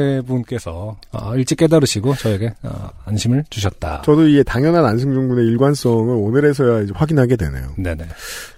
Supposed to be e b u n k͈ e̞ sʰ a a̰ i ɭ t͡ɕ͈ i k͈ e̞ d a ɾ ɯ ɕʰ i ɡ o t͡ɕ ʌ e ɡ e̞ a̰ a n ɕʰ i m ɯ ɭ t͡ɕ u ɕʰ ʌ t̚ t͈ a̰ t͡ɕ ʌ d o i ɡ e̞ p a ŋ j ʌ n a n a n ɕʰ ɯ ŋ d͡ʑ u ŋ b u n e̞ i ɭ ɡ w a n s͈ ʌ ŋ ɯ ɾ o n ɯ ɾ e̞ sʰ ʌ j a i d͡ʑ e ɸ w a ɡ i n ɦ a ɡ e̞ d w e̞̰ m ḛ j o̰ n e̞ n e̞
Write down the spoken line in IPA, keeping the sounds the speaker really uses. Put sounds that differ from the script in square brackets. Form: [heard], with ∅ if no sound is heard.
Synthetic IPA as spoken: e b u n k͈ e̞ sʰ [ʌ] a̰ i ɭ t͡ɕ͈ i k͈ e̞ d a ɾ ɯ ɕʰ i ɡ o t͡ɕ ʌ e ɡ e̞ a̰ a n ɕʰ i m ɯ ɭ t͡ɕ u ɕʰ ʌ t̚ t͈ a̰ t͡ɕ ʌ d o i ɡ e̞ [t] a ŋ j ʌ n a n a n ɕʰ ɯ ŋ d͡ʑ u ŋ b u n e̞ i ɭ ɡ w a n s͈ ʌ ŋ ɯ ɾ o n ɯ ɾ e̞ sʰ ʌ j a i d͡ʑ e ɸ w a ɡ i n ɦ a ɡ e̞ d w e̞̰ [n] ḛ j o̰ n e̞ n e̞